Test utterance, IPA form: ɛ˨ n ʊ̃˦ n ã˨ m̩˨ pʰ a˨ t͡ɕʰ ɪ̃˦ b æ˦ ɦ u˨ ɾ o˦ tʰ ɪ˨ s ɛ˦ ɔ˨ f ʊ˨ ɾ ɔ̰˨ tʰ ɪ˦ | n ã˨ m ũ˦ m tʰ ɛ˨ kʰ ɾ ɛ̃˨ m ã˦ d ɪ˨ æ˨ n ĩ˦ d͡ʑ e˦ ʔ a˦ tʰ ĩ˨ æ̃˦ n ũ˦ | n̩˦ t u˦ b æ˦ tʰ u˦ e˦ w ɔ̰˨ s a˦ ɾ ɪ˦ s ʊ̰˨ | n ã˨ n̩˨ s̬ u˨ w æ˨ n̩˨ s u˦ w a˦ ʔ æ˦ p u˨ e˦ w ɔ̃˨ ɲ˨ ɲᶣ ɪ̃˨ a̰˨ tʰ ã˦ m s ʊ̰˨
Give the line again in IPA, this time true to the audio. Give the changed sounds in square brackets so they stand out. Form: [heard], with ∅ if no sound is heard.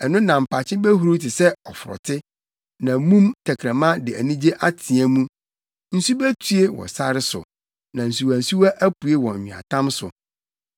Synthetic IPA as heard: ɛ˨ n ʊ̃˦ n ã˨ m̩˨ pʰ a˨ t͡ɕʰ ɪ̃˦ b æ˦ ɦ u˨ ɾ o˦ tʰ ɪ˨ s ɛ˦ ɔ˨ f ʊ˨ ɾ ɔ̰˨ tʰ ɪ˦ | n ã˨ m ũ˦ m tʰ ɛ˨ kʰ ɾ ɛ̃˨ m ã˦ d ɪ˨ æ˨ n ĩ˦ d͡ʑ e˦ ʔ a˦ tʰ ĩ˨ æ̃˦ [m] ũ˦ | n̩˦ [s] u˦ b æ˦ tʰ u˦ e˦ w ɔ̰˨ s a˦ ɾ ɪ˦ s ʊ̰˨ | n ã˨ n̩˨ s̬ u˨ w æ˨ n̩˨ s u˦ w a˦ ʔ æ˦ p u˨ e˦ w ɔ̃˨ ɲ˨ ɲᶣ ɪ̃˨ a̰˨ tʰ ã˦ m s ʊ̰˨